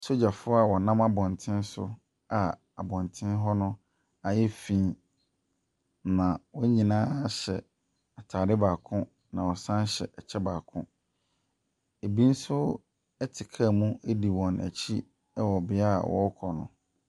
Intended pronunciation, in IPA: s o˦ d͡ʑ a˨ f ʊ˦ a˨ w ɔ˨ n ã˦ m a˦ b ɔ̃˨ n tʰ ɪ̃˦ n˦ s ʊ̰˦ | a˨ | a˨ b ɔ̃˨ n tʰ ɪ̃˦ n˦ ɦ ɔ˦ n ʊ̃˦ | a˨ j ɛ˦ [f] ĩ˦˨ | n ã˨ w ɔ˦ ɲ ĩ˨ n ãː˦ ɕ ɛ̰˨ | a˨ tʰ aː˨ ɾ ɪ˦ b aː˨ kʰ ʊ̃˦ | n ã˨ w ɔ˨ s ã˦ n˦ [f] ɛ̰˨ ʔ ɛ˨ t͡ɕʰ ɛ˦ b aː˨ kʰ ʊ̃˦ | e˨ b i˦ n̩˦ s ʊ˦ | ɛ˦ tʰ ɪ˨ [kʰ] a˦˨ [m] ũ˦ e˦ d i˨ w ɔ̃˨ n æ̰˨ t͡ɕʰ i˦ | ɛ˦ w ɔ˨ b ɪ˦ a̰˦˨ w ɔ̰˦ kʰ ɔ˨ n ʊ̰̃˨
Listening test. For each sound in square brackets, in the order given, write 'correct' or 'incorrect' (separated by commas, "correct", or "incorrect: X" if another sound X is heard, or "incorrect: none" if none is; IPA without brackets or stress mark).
correct, incorrect: ɕ, correct, correct